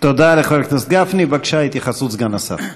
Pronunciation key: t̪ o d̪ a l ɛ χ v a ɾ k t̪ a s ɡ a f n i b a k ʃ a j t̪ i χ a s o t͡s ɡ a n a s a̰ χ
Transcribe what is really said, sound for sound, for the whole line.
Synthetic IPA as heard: t̪ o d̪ a l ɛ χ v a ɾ k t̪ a s ɡ a f n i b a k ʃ a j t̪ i χ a s u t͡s ɡ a n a s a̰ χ